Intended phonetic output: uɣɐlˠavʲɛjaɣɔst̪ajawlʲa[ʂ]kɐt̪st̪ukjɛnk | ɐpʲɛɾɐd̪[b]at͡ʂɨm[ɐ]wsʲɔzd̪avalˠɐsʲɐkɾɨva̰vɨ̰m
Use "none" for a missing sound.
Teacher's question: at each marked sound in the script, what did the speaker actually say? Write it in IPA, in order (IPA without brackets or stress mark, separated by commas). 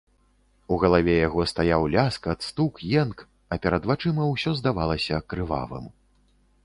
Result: s, v, ɐ